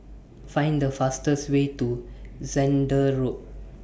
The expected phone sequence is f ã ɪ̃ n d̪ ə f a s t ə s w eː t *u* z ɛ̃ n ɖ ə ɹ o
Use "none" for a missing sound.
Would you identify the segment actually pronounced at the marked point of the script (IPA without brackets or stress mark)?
u